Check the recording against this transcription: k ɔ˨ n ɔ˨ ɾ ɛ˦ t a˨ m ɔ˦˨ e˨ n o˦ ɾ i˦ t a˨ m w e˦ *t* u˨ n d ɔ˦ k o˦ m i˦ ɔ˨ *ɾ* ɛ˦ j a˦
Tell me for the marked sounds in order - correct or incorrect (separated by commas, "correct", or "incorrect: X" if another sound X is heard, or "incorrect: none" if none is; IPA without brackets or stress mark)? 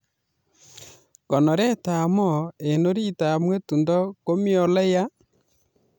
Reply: correct, incorrect: l